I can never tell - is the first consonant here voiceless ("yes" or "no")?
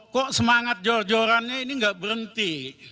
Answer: yes